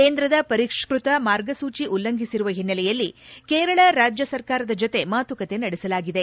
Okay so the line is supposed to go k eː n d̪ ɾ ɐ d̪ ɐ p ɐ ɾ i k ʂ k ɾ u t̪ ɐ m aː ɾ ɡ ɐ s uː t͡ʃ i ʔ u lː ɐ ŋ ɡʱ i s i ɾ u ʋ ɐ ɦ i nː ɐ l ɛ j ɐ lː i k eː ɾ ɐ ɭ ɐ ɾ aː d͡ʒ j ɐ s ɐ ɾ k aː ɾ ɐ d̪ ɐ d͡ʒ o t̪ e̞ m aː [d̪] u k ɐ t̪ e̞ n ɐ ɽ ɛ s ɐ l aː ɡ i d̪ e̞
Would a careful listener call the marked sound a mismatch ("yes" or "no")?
yes